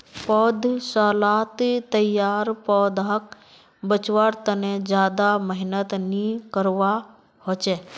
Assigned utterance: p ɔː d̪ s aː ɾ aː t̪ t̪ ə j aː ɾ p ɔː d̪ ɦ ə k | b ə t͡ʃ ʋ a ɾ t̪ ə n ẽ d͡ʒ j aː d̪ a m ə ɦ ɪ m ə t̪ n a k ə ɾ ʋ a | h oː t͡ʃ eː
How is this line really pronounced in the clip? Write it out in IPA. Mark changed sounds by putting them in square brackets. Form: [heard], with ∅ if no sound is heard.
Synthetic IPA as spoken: p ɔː d̪ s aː [l] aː t̪ t̪ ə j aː ɾ p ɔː d̪ ɦ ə k | b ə t͡ʃ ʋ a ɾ t̪ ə n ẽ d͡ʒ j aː d̪ a m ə ɦ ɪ [n] ə t̪ n [i] k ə ɾ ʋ a | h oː t͡ʃ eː